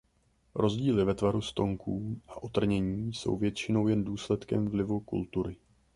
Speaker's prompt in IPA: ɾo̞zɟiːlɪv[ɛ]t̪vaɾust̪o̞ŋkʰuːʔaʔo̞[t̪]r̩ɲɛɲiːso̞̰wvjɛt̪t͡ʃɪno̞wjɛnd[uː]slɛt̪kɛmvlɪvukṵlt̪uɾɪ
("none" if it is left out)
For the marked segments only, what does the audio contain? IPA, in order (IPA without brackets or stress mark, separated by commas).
ɛ, t̪, uː